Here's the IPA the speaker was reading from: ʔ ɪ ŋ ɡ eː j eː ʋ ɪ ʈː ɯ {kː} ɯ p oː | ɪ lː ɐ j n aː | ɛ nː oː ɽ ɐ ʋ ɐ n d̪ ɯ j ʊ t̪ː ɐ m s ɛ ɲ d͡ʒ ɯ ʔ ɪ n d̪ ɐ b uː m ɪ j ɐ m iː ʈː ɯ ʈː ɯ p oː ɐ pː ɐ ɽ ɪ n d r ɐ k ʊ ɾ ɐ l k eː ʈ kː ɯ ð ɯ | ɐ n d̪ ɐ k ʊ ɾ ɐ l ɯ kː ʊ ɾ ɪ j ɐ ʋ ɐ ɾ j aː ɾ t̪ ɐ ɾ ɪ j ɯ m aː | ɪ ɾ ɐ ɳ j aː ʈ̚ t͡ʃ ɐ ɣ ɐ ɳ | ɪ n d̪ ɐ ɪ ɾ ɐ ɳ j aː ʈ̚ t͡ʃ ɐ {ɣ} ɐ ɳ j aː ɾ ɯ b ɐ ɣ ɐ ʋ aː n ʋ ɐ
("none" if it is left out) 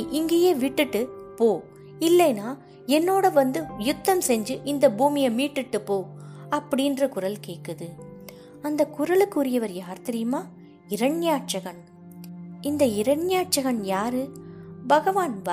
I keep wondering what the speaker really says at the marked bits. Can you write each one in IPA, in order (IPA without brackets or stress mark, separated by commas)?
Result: ʈː, ɣ